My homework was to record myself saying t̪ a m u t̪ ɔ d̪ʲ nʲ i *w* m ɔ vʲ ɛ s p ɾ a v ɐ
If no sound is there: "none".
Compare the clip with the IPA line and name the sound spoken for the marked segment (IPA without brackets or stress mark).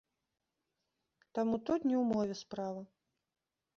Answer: w